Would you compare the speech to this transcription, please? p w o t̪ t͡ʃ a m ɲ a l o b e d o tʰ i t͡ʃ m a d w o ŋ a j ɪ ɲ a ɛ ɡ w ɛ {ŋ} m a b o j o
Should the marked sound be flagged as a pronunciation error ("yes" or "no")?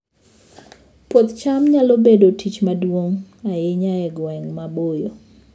no